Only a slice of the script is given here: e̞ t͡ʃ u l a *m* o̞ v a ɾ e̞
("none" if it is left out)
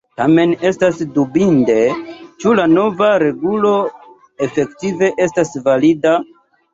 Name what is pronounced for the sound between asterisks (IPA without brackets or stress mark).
n